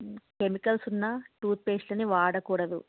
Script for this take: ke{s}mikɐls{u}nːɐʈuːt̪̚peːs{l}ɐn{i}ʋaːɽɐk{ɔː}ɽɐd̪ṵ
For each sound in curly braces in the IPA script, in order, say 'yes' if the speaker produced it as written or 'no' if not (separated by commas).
no, yes, yes, yes, no